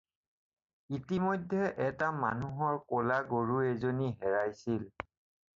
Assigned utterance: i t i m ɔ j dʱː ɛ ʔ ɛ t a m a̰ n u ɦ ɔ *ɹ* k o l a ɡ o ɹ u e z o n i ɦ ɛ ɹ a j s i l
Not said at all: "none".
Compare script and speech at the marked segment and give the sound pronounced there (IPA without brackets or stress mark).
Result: ɹ